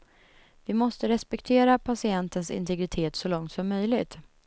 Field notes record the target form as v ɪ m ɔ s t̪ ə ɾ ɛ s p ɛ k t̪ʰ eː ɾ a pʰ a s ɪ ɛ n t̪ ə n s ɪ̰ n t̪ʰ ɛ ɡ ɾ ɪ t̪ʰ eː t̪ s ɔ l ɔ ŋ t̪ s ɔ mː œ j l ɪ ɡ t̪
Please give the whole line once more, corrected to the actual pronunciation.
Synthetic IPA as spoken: v ɪ m ɔ s t̪ ə ɾ ɛ s p ɛ k t̪ʰ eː ɾ a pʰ a s ɪ ɛ n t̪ ə n s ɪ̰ n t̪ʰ ɛ ɡ ɾ ɪ t̪ʰ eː t̪ s ɔ l ɔ ŋ t̪ s ɔ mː œ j l ɪ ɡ t̪